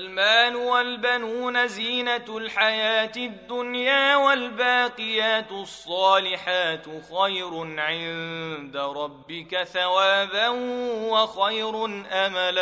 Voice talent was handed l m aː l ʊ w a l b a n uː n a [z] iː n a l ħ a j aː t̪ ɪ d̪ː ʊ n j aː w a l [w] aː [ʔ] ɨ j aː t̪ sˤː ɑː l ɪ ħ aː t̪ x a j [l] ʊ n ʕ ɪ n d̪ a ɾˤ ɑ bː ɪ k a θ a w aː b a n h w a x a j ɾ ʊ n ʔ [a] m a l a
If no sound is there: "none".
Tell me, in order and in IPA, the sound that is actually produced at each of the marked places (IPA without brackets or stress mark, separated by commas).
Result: z, b, q, ɾ, a